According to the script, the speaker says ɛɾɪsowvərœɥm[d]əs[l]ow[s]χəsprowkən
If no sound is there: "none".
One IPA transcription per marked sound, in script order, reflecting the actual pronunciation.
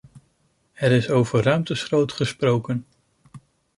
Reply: t, r, t

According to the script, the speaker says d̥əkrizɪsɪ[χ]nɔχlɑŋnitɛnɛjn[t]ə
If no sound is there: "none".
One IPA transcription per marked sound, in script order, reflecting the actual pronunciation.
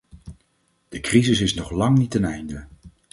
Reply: s, d

